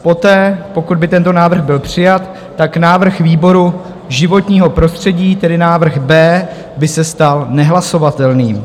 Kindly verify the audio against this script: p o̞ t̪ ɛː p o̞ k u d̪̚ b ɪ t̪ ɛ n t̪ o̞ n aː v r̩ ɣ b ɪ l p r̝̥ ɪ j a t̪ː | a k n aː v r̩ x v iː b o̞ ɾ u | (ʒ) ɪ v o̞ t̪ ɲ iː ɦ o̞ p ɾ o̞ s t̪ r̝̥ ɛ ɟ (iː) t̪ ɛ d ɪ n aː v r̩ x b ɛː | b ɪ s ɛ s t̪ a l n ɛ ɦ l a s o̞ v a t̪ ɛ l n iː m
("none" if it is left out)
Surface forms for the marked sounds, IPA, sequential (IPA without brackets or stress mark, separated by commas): ʒ, iː